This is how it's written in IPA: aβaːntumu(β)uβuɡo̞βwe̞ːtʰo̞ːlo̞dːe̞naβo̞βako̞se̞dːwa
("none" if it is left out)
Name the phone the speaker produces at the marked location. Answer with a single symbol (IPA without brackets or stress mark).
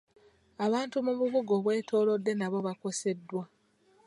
β